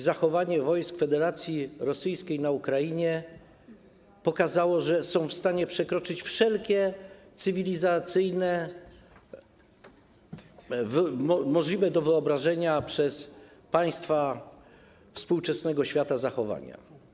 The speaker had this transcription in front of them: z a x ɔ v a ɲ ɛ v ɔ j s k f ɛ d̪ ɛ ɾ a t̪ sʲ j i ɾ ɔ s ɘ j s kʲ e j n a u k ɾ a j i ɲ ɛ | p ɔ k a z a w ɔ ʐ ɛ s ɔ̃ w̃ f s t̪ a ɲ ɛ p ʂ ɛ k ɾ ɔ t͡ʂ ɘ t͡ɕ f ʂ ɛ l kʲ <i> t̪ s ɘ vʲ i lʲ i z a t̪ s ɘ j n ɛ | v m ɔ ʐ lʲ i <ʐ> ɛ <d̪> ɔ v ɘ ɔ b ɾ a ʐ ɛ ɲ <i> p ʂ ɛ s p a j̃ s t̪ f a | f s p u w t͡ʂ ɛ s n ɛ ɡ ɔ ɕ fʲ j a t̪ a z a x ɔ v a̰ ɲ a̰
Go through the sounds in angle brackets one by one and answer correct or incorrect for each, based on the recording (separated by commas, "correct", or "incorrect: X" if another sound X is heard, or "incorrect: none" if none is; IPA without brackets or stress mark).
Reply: incorrect: ɛ, incorrect: v, correct, incorrect: a